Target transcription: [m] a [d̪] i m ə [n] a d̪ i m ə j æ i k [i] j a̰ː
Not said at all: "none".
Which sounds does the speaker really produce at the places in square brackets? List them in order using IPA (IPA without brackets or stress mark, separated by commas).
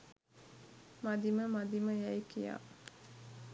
m, d̪, m, i